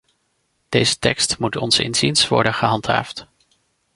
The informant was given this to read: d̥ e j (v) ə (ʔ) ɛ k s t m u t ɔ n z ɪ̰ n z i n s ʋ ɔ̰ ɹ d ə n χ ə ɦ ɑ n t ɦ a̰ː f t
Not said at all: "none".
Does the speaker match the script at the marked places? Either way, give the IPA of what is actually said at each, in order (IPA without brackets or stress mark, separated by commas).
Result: z, t